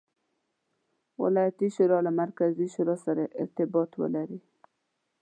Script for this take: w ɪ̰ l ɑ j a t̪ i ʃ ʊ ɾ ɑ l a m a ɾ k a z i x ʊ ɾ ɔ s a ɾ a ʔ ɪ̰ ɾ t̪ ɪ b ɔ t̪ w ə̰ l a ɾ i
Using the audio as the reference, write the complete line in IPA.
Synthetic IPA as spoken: w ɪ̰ l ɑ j a t̪ i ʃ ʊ ɾ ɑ l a m a ɾ k a z i ʃ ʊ ɾ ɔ s a ɾ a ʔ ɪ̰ ɾ t̪ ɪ b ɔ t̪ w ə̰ l a ɾ i